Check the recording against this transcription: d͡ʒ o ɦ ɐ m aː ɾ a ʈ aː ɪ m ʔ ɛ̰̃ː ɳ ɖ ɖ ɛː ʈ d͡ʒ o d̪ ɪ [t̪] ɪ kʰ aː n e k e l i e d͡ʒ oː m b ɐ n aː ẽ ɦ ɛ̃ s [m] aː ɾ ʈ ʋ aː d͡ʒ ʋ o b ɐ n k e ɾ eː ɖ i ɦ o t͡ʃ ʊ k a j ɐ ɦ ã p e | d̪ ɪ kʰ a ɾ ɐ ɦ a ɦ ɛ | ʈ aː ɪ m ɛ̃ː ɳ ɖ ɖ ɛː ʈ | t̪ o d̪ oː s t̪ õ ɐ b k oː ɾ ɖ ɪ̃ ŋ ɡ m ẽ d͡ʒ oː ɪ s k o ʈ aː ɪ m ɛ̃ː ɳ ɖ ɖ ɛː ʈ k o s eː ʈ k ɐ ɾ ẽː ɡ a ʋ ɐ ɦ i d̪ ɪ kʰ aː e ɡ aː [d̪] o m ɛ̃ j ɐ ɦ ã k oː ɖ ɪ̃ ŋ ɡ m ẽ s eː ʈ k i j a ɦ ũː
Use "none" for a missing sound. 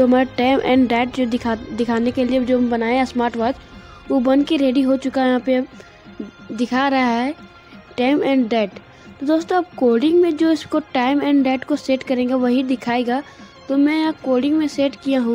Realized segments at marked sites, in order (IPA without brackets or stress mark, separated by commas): d̪, m, t̪